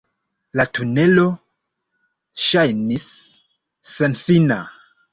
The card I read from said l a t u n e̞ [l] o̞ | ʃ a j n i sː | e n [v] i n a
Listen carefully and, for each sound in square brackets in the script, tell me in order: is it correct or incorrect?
correct, incorrect: f

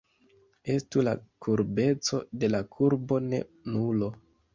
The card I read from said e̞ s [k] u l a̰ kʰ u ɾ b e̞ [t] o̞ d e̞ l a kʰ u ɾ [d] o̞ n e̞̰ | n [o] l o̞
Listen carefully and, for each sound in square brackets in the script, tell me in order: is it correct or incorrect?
incorrect: t, incorrect: t͡s, incorrect: b, incorrect: u

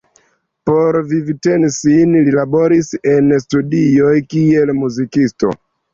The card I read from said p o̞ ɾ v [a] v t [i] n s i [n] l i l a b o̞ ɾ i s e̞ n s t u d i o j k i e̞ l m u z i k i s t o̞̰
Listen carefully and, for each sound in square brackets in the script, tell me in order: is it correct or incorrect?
incorrect: i, incorrect: e, correct

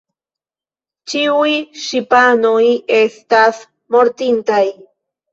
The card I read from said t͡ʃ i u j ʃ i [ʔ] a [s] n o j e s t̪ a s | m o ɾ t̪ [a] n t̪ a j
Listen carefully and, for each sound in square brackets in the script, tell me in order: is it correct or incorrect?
incorrect: p, incorrect: none, incorrect: i

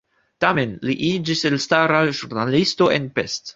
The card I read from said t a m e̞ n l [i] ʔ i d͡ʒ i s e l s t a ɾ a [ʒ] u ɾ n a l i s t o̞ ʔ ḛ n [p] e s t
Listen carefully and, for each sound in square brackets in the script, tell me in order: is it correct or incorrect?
correct, correct, correct

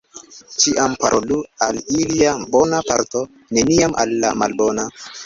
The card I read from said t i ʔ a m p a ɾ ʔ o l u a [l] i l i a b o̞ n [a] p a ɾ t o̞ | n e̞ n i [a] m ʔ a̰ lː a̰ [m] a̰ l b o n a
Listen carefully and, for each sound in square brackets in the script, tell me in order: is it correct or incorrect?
correct, correct, correct, correct

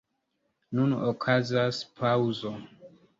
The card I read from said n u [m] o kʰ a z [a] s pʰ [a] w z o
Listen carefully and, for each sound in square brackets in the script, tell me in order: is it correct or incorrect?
incorrect: n, correct, correct

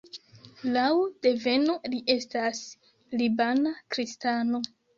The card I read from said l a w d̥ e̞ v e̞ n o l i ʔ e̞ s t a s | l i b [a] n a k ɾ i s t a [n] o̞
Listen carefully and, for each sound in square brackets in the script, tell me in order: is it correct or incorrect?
correct, correct

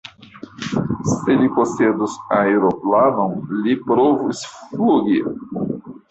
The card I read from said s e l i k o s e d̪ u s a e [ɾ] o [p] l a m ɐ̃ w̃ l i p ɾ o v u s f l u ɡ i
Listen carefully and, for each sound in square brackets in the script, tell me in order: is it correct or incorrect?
correct, correct

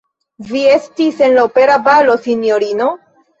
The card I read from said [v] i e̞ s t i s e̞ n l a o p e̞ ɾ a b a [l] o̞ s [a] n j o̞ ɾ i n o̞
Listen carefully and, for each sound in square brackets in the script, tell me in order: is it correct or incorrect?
correct, correct, incorrect: i

